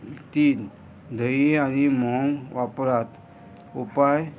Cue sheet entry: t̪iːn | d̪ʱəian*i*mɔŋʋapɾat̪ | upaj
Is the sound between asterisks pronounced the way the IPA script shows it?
yes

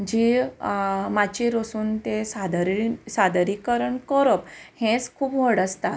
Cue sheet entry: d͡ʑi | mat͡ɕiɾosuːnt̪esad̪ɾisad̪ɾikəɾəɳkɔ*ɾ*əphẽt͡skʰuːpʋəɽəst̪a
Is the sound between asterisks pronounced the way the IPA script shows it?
yes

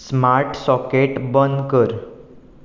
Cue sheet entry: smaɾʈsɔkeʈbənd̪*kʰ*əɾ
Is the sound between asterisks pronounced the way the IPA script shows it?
no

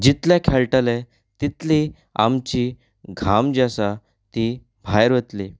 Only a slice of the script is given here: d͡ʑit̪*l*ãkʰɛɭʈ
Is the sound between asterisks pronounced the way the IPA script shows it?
yes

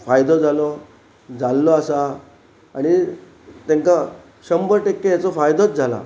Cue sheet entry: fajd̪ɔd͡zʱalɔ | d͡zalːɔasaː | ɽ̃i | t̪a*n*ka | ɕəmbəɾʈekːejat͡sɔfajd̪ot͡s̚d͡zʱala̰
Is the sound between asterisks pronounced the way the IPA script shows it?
no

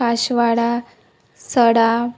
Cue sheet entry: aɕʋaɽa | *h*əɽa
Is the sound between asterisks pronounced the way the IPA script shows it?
no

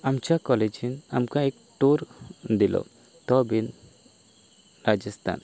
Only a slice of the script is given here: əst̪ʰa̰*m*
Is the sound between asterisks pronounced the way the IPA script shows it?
no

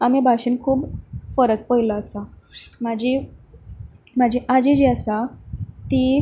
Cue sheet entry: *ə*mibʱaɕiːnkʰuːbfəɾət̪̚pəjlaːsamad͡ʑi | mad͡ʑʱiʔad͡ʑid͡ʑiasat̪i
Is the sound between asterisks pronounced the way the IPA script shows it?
no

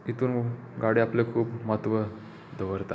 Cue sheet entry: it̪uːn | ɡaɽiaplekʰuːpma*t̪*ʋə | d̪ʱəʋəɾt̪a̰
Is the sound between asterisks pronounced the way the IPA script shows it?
yes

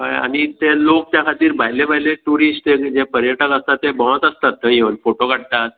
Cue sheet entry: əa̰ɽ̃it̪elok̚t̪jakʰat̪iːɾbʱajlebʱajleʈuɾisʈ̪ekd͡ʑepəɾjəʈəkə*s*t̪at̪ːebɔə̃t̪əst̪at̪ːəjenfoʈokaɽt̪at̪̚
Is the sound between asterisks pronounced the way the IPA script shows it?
yes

